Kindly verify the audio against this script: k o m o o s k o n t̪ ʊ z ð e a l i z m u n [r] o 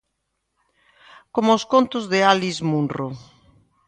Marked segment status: correct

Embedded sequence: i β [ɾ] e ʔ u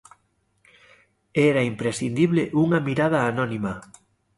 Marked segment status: incorrect: l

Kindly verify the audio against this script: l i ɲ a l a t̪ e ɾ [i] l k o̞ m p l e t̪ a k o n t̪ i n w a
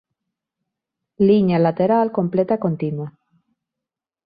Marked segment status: incorrect: a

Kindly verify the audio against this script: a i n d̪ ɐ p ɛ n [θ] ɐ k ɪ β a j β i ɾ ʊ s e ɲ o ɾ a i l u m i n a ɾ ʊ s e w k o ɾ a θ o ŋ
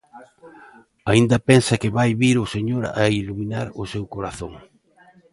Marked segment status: incorrect: s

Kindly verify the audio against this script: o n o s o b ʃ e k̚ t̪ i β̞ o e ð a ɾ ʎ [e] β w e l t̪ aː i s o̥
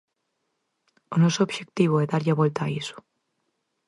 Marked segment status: incorrect: a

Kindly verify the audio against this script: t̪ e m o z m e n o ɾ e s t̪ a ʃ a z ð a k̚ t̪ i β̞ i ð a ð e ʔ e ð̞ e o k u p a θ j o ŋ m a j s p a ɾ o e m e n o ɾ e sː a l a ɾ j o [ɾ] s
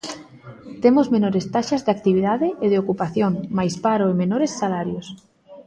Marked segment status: incorrect: none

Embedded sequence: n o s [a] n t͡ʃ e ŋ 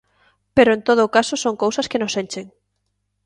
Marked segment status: incorrect: e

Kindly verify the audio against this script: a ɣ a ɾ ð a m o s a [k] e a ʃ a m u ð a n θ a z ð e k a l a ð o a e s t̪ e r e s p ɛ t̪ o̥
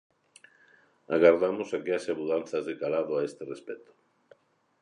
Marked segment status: correct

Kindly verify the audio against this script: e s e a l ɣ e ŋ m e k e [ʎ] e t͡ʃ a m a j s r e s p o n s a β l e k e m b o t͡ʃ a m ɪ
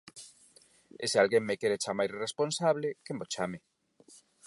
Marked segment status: incorrect: ɾ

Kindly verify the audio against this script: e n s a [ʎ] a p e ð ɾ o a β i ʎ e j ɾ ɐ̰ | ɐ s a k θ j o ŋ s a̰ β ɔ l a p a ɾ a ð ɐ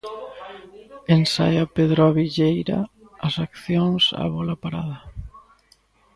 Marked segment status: incorrect: j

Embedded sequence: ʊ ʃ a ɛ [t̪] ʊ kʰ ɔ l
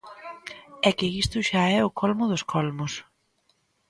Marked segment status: incorrect: none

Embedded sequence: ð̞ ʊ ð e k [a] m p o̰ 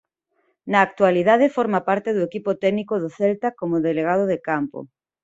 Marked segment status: correct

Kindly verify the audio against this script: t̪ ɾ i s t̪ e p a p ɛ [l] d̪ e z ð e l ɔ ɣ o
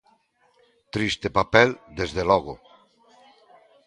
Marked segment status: correct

